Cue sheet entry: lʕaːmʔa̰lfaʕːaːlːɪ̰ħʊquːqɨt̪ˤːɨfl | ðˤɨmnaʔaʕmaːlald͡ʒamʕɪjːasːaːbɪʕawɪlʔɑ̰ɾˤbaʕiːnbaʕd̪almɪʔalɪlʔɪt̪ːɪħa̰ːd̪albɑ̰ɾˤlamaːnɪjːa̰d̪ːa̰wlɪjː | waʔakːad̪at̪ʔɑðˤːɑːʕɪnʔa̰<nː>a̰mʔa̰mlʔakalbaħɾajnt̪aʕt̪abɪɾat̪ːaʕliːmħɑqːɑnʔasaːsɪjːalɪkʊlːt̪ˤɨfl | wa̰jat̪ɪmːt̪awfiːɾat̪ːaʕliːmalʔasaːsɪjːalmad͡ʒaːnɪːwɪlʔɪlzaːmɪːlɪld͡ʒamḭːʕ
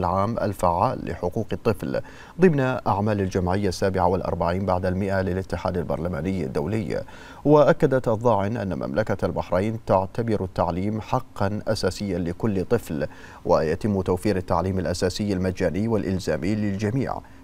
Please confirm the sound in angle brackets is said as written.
yes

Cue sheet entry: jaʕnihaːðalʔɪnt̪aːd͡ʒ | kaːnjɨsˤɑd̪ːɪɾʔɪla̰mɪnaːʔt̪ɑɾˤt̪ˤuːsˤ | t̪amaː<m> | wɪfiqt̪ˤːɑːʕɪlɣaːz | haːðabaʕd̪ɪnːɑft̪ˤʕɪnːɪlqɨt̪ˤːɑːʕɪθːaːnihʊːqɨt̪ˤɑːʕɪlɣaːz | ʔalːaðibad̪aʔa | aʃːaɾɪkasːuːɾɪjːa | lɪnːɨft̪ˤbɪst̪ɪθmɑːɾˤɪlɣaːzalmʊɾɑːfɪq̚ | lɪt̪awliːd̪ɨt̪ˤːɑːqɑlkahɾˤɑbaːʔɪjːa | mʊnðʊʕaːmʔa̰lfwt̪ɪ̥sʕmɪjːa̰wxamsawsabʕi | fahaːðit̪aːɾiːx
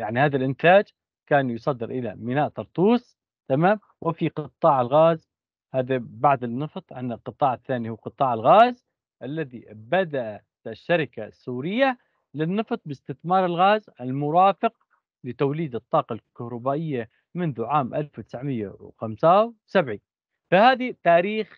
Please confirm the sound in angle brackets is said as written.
yes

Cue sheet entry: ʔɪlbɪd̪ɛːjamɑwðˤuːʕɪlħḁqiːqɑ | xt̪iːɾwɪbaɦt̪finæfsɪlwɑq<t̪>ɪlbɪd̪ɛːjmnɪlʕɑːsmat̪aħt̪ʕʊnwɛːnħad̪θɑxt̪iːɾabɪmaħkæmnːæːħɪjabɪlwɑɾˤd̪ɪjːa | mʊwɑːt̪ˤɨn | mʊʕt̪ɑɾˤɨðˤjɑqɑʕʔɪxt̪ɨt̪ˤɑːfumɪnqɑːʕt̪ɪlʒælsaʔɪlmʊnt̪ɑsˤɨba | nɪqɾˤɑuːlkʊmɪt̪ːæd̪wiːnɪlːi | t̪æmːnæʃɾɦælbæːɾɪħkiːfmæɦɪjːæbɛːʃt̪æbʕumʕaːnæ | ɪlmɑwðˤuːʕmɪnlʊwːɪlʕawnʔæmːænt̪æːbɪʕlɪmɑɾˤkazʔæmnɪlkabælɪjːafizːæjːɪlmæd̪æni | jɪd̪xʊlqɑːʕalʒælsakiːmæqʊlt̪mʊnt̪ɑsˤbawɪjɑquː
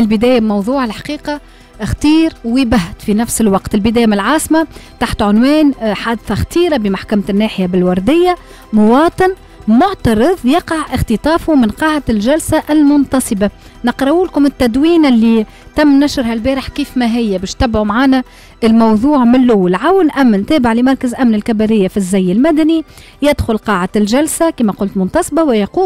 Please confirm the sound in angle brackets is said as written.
yes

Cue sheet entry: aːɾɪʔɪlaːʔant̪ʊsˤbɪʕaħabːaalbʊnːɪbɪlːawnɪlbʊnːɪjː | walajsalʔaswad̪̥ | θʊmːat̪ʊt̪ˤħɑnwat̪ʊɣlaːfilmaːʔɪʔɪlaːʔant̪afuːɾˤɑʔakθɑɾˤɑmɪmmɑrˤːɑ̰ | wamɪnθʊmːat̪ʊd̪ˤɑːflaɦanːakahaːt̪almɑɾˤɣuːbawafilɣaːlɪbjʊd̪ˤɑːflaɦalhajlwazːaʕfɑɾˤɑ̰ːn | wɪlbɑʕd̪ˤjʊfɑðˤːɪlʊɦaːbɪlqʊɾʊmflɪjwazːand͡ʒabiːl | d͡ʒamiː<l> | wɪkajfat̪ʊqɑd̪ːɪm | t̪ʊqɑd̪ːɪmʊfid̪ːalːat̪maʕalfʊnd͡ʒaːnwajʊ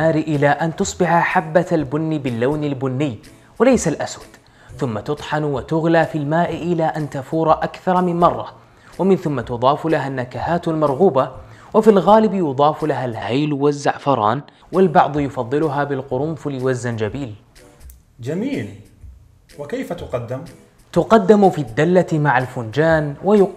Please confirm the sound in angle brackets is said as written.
yes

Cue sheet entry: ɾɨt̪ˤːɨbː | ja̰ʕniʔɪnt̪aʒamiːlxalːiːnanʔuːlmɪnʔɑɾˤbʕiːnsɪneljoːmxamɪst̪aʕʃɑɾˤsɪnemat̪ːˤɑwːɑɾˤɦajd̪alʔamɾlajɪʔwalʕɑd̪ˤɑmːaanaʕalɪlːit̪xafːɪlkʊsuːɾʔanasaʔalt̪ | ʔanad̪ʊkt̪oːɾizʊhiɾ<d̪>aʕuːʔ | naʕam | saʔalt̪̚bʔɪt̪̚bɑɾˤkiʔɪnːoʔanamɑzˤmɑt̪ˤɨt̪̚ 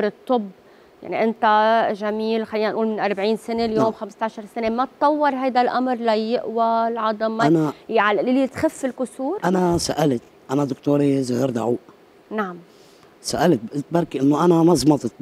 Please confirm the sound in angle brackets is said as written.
yes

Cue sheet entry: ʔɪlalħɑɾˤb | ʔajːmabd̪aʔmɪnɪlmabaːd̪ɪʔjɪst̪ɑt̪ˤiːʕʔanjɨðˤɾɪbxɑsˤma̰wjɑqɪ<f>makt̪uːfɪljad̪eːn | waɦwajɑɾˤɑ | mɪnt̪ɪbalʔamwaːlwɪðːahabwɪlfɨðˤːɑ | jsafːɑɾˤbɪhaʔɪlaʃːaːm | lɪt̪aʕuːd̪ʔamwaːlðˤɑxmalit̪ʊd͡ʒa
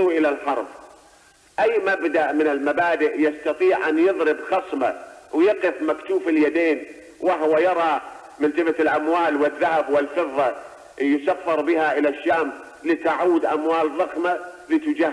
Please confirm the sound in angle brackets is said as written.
yes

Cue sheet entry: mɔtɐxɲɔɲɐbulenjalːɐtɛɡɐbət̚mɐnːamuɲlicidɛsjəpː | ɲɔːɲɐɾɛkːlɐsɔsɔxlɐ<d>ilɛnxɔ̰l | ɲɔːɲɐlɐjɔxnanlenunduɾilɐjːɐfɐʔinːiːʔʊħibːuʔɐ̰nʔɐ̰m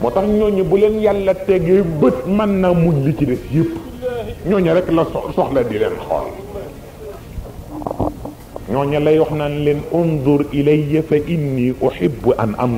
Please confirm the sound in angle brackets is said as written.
yes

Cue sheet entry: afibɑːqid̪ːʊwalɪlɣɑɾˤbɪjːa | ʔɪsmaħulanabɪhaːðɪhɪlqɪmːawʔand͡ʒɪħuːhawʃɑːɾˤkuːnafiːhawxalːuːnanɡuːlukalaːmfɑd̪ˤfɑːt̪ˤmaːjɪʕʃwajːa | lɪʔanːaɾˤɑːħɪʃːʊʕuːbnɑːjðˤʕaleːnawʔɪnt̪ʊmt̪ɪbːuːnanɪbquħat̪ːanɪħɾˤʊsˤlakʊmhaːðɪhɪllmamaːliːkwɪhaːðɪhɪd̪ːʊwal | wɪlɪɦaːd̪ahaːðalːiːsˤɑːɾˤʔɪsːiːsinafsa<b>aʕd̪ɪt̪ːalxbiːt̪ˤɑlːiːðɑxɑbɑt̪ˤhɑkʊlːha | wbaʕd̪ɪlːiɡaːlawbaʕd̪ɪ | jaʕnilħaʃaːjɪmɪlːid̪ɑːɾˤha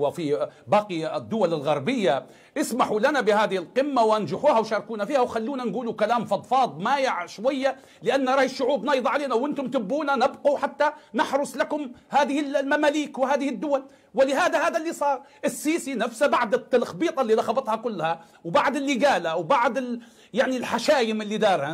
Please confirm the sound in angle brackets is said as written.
yes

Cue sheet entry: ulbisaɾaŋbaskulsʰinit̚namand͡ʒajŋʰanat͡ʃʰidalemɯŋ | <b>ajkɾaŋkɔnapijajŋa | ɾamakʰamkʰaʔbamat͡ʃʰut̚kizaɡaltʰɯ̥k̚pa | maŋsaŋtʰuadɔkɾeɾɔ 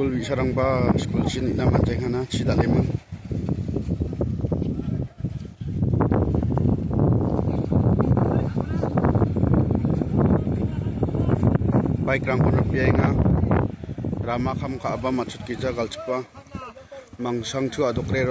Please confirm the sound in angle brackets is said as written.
yes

